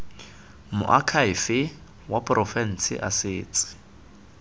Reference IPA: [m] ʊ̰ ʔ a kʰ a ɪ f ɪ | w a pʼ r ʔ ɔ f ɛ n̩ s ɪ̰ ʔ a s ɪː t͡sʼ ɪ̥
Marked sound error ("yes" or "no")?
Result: no